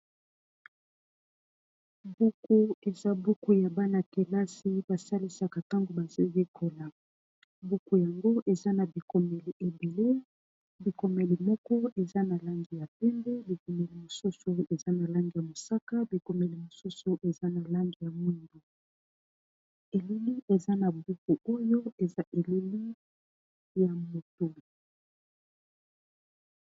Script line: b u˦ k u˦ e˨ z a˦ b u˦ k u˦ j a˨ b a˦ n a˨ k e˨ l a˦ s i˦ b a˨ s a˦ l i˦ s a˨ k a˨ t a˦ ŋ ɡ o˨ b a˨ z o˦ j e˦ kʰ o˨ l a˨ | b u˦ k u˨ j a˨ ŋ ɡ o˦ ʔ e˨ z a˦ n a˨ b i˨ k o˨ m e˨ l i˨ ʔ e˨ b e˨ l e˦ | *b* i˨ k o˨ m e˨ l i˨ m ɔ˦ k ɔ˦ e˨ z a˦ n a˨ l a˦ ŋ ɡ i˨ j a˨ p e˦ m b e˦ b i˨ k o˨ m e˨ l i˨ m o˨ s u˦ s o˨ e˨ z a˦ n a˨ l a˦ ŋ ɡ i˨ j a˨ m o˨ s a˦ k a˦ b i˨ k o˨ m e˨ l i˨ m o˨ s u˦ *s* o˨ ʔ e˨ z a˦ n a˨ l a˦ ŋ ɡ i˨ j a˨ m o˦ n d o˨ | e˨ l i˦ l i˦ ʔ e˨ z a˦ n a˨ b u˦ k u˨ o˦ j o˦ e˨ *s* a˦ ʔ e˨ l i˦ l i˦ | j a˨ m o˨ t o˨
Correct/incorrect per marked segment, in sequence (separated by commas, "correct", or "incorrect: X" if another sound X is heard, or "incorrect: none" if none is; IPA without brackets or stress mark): correct, correct, incorrect: z